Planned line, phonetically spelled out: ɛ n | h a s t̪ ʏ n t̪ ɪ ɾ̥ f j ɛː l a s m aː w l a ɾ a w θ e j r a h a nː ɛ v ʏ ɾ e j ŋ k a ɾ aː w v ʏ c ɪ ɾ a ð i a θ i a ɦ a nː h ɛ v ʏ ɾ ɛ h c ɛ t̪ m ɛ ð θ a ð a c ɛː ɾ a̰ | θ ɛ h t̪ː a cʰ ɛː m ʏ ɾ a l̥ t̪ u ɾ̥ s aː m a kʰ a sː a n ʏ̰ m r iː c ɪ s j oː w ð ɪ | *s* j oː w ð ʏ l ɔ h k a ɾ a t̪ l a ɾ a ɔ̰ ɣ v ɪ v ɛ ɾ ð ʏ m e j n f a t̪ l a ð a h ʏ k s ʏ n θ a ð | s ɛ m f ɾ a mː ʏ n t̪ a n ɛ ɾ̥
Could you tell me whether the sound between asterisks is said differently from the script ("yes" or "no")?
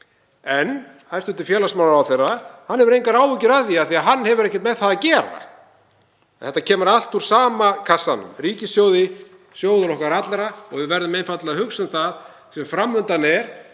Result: no